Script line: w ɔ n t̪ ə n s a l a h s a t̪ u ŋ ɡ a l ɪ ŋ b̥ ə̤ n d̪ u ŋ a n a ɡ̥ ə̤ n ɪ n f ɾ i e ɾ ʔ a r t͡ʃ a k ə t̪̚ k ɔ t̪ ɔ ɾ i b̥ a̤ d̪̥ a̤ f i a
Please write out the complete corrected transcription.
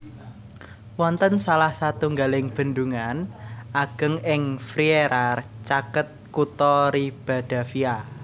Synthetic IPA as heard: w ɔ n t̪ ə n s a l a h s a t̪ u ŋ ɡ a l ɪ ŋ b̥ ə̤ n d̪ u ŋ a n a ɡ̥ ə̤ ŋ ɪ ŋ f ɾ i e ɾ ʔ a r t͡ʃ a k ə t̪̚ k u t̪ ɔ ɾ i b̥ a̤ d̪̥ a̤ f i a